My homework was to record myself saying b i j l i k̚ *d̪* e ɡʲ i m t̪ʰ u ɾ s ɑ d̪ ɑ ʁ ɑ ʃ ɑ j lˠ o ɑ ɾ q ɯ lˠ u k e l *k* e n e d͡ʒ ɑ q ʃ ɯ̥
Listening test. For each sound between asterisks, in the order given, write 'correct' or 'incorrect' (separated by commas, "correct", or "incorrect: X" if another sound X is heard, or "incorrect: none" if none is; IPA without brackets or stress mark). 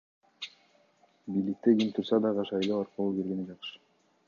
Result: incorrect: t̪, incorrect: ɡ